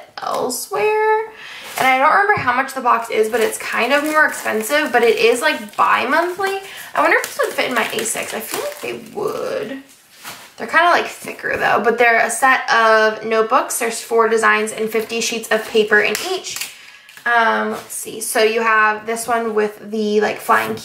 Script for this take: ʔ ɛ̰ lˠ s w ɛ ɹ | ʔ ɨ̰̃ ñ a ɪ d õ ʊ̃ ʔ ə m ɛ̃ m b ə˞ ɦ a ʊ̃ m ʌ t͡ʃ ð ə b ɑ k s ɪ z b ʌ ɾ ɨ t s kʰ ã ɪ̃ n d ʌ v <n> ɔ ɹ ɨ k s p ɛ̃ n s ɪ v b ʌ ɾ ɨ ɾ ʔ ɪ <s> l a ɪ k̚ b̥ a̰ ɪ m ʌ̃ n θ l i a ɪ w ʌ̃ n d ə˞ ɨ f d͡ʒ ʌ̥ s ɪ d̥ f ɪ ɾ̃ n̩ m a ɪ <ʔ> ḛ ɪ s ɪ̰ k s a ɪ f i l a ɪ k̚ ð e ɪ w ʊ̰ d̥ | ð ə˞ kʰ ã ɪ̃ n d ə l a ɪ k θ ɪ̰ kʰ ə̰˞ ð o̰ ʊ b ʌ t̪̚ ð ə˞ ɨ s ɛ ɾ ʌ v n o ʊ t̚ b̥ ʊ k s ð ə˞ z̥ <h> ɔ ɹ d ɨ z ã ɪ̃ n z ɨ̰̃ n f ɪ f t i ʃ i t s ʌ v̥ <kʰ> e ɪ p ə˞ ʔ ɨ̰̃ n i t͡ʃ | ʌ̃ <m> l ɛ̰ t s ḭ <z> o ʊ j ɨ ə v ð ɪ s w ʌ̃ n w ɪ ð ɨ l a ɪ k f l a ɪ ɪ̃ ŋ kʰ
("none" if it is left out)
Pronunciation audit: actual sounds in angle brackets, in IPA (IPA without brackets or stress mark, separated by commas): m, z, ʔ, f, pʰ, m, s